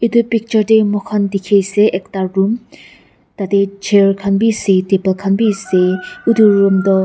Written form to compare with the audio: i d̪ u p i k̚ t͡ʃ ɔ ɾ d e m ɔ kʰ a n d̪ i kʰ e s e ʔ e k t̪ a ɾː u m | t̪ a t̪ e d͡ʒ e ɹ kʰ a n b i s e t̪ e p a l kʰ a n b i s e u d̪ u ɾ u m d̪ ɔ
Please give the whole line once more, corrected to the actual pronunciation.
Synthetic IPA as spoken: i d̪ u p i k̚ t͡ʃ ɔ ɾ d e m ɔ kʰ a n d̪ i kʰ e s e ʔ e k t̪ a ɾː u m | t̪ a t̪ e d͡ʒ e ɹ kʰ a n b i s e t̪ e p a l kʰ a n b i s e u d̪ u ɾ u m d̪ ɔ

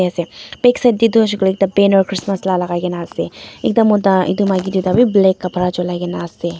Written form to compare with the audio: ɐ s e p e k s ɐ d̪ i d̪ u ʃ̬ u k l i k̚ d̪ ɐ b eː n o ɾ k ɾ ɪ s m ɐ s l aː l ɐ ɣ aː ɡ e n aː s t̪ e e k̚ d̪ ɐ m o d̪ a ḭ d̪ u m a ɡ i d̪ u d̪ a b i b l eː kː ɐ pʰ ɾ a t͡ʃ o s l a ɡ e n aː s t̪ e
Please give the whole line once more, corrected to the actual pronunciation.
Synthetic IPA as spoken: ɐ s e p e k s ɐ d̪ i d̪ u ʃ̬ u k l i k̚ d̪ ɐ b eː n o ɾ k ɾ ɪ s m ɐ s l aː l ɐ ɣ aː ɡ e n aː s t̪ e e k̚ d̪ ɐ m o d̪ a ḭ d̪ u m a ɡ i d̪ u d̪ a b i b l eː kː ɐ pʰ ɾ a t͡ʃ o l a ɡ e n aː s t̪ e

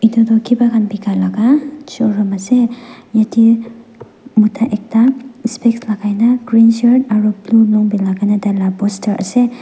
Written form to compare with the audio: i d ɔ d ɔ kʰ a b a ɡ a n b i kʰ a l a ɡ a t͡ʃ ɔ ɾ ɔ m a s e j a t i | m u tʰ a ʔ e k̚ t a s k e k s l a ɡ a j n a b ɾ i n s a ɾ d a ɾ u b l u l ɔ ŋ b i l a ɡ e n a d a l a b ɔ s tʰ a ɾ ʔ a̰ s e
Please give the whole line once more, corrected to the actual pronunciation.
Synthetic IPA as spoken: i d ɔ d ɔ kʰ i b a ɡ a n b i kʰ a l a ɡ a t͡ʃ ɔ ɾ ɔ m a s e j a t i | m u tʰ a ʔ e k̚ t a s p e k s l a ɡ a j n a ɡ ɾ i n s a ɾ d a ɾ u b l u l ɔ ŋ b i l a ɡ a n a d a l a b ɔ s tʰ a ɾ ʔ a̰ s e

